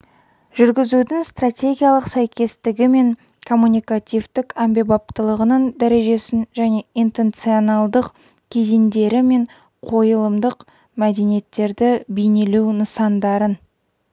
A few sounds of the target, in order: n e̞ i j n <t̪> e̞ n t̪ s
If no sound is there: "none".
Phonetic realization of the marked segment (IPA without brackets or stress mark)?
t̪